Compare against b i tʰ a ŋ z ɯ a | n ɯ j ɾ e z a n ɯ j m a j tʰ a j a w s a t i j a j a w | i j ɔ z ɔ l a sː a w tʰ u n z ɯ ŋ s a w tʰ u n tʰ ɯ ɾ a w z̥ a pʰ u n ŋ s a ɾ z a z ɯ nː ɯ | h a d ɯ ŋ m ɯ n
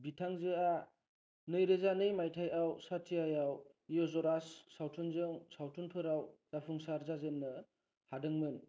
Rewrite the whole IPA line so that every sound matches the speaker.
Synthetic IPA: b i tʰ a ŋ z ɯ a | n ɯ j ɾ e z a n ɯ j m a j tʰ a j a w s a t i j a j a w | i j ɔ z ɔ ɾ a sː a w tʰ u n z ɯ ŋ s a w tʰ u n pʰ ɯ ɾ a w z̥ a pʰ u ŋ s a ɾ z a z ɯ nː ɯ | h a d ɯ ŋ m ɯ n